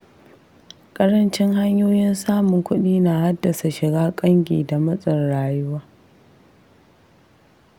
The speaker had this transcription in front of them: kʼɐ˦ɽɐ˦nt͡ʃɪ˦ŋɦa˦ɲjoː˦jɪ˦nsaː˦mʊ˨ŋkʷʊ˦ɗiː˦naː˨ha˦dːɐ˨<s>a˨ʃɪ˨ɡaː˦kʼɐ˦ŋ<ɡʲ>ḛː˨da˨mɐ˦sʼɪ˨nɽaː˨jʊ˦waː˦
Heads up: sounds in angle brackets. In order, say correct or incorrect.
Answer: correct, correct

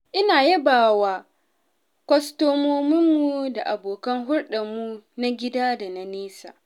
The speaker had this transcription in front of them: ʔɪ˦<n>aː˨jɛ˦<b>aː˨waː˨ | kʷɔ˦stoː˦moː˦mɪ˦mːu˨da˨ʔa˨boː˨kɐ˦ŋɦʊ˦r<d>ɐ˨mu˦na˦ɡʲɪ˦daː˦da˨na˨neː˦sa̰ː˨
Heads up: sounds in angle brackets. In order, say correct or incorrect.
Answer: correct, correct, incorrect: ɗ

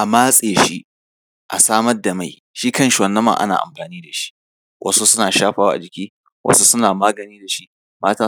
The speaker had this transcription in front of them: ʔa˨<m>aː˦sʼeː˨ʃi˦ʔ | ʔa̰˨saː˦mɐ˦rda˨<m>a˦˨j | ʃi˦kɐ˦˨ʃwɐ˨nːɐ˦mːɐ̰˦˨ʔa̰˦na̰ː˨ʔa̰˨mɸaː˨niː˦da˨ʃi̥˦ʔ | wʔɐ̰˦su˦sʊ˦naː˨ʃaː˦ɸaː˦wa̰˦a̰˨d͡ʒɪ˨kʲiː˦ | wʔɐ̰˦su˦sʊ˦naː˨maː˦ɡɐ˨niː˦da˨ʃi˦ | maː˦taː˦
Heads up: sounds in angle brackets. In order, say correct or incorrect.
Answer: correct, correct

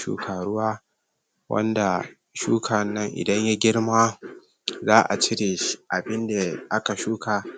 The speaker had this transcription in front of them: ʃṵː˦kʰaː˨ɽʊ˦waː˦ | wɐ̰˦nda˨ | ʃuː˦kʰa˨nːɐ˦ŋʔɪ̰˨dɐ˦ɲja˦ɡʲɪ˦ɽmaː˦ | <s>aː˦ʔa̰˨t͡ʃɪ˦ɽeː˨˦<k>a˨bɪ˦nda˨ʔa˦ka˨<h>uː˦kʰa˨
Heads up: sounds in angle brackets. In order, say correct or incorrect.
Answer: incorrect: z, incorrect: ʔ, incorrect: ʃ

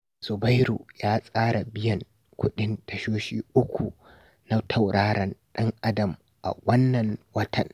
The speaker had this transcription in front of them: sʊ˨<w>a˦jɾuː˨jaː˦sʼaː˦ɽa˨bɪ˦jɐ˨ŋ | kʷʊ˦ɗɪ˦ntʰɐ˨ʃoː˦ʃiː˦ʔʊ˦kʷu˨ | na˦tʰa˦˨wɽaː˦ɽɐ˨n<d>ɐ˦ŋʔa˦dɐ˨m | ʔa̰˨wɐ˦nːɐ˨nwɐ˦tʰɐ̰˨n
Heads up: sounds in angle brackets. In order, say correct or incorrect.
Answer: incorrect: b, incorrect: ɗ

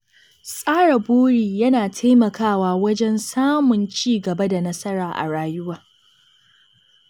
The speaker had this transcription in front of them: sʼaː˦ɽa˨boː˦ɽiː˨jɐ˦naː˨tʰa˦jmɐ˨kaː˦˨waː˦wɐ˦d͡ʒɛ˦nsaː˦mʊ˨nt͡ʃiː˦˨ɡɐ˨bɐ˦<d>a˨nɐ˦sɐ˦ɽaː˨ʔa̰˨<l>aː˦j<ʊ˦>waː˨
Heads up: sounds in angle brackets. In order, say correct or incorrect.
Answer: correct, incorrect: ɽ, correct

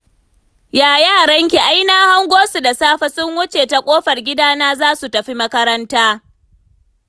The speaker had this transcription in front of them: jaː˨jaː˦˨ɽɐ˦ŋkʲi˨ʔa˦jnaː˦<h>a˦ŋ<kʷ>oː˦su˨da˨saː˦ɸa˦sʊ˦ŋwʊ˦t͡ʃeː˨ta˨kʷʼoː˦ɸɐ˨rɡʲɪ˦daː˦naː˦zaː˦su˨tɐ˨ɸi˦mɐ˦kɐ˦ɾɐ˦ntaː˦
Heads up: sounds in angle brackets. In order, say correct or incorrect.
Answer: correct, incorrect: ɡʷ

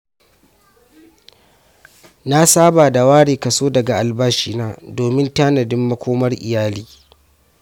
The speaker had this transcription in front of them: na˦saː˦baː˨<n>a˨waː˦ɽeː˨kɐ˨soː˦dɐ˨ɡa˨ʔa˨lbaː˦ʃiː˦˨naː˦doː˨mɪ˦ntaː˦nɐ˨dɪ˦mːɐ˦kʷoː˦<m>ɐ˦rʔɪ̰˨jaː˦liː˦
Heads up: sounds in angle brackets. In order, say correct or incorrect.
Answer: incorrect: d, correct

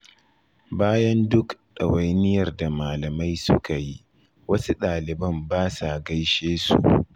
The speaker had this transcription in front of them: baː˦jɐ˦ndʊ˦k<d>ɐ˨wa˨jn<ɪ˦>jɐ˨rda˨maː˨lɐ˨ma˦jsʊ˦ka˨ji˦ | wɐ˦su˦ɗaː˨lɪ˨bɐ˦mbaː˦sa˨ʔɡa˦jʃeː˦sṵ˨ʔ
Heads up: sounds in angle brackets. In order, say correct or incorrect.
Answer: incorrect: ɗ, correct

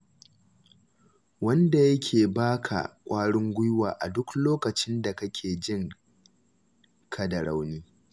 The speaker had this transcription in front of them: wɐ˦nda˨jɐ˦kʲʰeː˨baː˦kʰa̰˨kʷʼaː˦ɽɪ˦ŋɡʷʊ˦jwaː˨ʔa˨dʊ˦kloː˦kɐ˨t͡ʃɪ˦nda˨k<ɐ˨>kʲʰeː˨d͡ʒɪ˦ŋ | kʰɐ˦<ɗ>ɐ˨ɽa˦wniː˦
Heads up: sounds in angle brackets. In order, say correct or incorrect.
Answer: incorrect: ɐ˦, incorrect: d

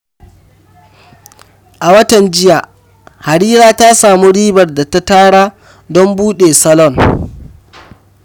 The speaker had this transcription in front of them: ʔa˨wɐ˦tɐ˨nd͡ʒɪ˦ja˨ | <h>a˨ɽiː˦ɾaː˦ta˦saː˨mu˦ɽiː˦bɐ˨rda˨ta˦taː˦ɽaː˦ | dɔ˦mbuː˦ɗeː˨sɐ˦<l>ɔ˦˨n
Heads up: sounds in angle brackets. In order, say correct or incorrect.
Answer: correct, correct

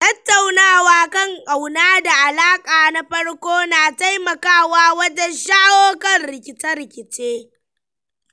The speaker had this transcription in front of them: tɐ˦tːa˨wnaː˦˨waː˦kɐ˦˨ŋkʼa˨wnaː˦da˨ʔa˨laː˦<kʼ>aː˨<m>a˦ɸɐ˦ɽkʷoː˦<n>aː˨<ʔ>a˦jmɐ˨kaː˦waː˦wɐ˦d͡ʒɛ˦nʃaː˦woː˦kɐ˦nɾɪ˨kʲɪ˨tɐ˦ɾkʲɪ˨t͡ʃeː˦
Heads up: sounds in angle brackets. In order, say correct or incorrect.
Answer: correct, incorrect: n, correct, incorrect: t

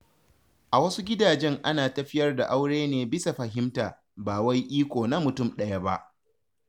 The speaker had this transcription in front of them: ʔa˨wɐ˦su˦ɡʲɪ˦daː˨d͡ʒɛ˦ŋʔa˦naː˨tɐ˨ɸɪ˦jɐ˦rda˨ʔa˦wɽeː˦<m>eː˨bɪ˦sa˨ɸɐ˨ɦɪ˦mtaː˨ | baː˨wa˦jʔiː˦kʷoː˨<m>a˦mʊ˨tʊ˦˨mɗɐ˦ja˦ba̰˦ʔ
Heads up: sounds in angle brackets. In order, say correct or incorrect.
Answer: incorrect: n, incorrect: n

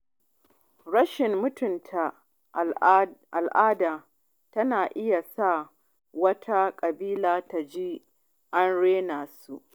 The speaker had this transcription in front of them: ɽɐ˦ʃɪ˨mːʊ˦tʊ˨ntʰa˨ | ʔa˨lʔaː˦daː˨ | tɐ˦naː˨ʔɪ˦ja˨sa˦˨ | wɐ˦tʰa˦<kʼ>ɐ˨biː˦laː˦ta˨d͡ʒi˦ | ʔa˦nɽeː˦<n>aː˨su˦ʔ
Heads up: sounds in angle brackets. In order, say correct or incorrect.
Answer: correct, correct

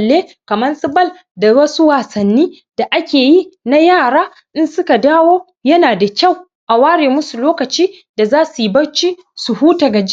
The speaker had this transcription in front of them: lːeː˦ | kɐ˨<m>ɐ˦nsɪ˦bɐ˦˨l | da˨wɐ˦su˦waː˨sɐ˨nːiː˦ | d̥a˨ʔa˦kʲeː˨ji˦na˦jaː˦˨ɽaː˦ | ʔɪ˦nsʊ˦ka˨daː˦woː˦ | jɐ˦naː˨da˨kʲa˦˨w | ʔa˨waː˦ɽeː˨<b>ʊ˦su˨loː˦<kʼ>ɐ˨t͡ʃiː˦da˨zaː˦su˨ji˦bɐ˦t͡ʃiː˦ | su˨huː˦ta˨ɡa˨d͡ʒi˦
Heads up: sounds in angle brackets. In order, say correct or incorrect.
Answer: correct, incorrect: m, incorrect: k

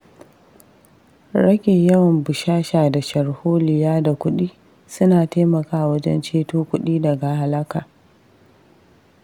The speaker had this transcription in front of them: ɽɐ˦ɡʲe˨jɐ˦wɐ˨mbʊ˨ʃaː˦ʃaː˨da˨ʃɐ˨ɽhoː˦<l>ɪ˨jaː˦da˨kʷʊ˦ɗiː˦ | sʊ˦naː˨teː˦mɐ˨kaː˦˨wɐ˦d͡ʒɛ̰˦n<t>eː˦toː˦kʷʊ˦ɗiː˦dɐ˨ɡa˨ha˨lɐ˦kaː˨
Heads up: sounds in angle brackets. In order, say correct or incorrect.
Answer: correct, incorrect: t͡ʃ

